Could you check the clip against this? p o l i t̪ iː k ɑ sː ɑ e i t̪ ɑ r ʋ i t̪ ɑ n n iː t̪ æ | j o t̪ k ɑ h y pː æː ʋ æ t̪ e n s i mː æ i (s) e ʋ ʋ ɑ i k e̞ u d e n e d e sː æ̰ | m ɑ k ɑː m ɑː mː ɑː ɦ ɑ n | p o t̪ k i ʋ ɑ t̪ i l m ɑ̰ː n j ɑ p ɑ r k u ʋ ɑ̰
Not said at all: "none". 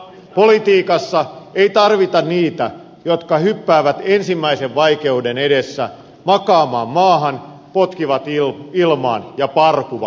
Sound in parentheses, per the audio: s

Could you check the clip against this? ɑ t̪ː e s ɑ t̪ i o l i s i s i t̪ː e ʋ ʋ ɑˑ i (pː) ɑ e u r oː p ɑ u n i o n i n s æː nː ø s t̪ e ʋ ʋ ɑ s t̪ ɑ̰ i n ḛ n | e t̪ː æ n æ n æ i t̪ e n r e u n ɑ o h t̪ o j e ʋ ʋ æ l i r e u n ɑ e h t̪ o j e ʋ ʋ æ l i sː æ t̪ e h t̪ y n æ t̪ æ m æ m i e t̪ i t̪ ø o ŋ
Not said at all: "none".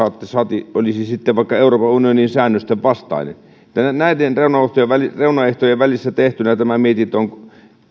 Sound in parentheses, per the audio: kː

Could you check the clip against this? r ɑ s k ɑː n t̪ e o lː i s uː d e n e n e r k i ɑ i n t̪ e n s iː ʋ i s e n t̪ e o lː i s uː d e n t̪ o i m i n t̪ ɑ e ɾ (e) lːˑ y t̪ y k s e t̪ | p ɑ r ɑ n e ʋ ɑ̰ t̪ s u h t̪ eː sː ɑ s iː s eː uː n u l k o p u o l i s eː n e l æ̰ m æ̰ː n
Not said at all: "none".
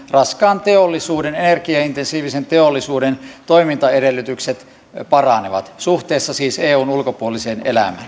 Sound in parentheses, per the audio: e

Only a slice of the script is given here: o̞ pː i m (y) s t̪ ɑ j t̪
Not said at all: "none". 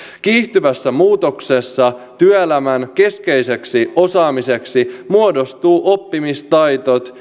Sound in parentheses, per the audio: i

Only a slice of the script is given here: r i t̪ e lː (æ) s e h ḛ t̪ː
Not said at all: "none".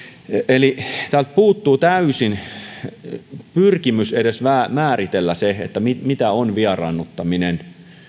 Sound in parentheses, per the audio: æ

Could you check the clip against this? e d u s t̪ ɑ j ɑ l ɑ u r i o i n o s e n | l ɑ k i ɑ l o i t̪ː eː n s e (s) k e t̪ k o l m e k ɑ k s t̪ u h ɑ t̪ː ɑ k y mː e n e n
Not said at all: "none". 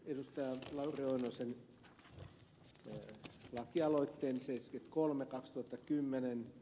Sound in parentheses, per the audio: s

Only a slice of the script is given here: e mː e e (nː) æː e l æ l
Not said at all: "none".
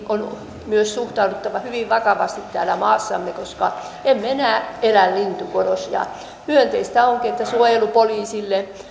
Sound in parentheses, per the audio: n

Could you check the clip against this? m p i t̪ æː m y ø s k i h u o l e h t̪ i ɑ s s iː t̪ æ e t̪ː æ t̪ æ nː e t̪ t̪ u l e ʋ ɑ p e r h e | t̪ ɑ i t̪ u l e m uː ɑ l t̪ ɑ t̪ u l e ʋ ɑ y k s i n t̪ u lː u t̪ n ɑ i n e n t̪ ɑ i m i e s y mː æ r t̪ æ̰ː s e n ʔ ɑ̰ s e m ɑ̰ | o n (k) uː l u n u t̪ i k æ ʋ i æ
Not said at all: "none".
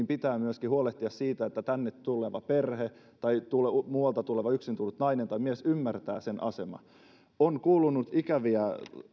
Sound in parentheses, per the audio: k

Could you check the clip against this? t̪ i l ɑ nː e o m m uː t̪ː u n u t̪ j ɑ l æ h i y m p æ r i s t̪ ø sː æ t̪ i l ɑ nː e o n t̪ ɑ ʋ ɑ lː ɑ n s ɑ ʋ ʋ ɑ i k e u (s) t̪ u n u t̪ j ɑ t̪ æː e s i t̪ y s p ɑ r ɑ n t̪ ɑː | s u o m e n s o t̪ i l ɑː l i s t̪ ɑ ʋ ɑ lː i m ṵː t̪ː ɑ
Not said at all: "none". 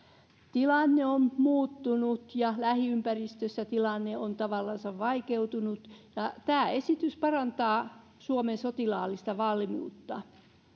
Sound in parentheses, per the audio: none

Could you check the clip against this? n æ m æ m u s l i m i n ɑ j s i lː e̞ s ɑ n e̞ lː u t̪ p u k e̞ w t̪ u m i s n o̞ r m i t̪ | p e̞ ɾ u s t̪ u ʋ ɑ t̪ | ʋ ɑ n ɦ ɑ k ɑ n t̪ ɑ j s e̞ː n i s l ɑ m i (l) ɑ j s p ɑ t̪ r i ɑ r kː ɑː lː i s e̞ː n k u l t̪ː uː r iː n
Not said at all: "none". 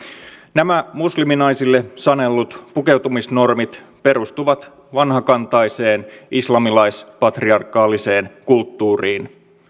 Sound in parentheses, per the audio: l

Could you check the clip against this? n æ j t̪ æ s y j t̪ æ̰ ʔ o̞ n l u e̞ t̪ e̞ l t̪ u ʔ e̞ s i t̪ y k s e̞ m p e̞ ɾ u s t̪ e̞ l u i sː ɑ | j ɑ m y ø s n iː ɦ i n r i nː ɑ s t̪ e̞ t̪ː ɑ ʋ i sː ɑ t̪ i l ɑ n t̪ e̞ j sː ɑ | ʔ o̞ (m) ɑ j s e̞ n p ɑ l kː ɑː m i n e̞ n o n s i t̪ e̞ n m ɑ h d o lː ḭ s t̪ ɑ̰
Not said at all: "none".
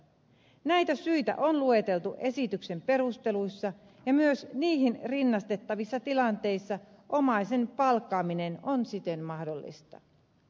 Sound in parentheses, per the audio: m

